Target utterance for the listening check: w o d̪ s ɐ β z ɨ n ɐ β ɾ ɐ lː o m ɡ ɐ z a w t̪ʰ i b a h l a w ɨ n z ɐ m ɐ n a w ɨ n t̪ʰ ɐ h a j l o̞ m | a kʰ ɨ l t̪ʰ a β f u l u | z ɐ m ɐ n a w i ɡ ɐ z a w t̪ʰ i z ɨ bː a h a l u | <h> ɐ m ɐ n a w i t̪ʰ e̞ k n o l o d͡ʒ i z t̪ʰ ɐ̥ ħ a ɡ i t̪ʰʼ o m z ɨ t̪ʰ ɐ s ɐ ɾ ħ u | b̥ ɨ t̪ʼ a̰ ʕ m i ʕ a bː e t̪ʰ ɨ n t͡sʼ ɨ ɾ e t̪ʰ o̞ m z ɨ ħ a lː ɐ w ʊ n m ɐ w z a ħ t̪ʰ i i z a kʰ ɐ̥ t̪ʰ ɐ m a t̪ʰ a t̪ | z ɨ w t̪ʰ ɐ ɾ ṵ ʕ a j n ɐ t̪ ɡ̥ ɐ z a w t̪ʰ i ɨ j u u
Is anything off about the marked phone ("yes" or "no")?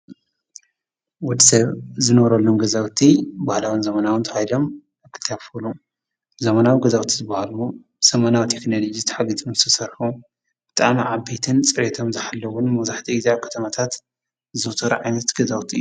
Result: yes